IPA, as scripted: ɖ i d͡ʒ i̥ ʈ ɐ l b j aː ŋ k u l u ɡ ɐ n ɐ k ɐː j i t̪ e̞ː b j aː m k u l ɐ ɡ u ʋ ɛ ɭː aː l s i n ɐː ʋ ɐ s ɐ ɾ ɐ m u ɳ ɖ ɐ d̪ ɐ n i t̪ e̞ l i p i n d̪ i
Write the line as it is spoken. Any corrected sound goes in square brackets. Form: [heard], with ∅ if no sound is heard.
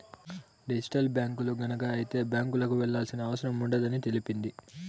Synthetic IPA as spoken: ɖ i d͡ʒ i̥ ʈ ɐ l b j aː ŋ k u l u ɡ ɐ n ɐ k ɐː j i t̪ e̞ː b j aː [ŋ] k u l ɐ [k] u ʋ ɛ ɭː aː l s i n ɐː ʋ ɐ s ɐ ɾ ɐ m u ɳ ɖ ɐ d̪ ɐ n i t̪ e̞ l i p i n d̪ i